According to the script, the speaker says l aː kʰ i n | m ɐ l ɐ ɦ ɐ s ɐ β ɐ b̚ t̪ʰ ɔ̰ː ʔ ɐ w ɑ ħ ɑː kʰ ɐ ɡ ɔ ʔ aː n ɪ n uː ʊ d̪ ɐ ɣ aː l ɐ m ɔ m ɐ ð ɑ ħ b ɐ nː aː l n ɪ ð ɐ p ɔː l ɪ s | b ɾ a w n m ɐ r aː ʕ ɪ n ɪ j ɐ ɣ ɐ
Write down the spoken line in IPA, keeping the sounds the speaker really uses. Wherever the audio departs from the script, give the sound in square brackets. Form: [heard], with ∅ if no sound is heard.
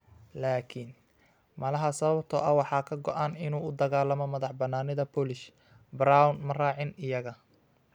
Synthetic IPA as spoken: l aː kʰ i n | m ɐ l ɐ ɦ ɐ s ɐ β ɐ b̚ t̪ʰ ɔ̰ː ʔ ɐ w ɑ ħ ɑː kʰ ɐ ɡ ɔ ʔ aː n ɪ n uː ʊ d̪ ɐ ɣ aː l ɐ m ɔ m ɐ ð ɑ ħ b ɐ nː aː [∅] n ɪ ð ɐ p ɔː l ɪ [ʃ] | b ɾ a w n m ɐ r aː ʕ ɪ n ɪ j ɐ ɣ ɐ